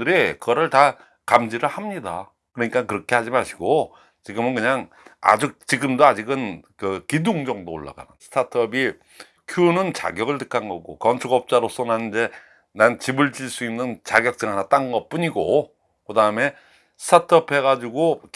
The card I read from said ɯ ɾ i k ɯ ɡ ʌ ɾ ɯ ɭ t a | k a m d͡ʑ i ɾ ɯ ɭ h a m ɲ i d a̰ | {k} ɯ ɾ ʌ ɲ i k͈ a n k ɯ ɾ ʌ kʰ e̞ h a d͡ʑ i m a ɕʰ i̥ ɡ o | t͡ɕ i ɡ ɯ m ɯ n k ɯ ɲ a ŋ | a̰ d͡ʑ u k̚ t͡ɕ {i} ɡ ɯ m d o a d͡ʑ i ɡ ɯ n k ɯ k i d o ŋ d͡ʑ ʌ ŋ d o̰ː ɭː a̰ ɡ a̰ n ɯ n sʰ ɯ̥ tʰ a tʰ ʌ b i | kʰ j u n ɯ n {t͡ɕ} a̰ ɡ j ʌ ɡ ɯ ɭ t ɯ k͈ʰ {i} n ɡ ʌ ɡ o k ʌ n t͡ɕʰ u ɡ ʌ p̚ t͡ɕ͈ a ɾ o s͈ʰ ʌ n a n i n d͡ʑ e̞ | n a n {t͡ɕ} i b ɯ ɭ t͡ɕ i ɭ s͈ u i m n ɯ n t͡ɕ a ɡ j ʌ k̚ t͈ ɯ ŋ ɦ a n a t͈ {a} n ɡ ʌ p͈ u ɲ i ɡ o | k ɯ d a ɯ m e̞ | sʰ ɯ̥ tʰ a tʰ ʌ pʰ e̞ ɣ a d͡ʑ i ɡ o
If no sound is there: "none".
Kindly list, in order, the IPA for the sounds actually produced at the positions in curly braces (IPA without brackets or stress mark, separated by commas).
k, i, t͡ɕ, a, t͡ɕ, a